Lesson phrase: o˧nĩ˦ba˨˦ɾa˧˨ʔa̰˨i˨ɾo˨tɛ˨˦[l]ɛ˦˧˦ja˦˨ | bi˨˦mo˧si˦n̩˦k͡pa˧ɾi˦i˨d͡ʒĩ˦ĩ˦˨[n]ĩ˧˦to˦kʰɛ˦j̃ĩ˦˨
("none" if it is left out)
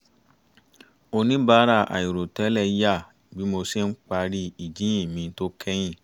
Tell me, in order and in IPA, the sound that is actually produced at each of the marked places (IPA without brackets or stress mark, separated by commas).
l, m